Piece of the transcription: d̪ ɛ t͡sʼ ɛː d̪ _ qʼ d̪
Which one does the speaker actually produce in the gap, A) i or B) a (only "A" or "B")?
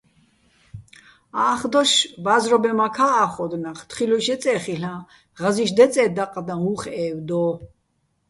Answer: B